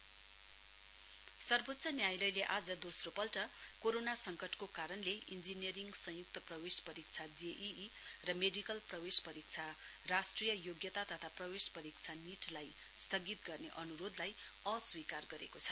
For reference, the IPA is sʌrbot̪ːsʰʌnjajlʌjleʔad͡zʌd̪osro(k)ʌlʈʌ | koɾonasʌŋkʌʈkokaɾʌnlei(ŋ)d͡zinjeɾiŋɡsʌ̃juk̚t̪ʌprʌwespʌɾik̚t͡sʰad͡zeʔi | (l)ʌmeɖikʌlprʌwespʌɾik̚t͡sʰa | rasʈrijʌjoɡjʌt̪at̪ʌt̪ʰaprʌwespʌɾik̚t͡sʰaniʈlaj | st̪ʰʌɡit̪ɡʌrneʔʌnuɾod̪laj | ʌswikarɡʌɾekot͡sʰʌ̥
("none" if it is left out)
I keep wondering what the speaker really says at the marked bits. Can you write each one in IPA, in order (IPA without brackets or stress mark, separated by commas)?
p, n, r